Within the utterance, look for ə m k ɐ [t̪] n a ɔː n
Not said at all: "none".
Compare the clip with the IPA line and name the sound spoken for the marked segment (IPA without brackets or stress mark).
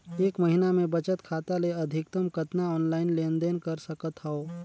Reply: t̪